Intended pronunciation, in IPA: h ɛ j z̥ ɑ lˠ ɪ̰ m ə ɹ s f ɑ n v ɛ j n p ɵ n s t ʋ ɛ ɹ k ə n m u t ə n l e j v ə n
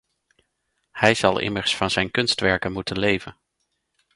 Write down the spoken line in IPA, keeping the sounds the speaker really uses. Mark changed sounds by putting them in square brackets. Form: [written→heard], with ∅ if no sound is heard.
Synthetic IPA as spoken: h ɛ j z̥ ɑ lˠ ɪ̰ m ə ɹ s f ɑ n [v→z] ɛ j n [p→k] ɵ n s t ʋ ɛ ɹ k ə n m u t ə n l e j v ə n